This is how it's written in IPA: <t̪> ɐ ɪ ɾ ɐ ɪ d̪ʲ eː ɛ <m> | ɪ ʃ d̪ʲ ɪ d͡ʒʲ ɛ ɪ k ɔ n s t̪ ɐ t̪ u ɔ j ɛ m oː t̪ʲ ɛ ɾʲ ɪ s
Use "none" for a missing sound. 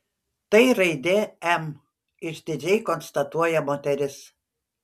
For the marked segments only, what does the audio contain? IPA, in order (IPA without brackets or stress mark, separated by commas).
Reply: t̪, m